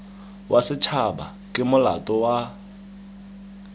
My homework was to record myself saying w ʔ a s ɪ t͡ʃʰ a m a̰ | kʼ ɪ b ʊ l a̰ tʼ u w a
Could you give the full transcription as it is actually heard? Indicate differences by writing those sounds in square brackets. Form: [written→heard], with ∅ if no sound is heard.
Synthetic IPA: w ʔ a s ɪ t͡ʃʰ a [m→b] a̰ | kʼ ɪ [b→m] ʊ l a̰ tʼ [u→ɔ] w a